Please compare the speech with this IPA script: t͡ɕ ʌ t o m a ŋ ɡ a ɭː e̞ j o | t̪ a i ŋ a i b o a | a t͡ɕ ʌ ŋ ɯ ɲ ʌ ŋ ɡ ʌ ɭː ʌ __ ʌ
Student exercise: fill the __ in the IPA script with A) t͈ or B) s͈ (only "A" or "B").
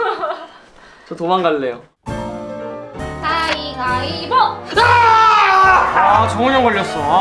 B